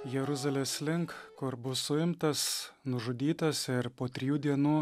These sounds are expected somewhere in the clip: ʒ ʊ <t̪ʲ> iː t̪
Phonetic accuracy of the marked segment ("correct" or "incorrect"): incorrect